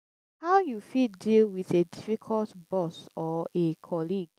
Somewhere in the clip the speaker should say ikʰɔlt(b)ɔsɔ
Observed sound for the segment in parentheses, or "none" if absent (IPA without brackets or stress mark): b